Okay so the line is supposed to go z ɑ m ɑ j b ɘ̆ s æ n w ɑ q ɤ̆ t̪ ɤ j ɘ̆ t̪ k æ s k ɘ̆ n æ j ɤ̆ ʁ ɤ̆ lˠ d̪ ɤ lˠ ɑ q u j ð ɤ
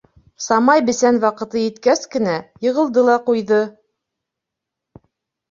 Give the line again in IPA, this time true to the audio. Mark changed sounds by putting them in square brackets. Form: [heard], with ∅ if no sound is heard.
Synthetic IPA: [s] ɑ m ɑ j b ɘ̆ s æ n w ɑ q ɤ̆ t̪ ɤ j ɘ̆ t̪ k æ s k ɘ̆ n æ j ɤ̆ ʁ ɤ̆ lˠ d̪ ɤ lˠ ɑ q u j ð ɤ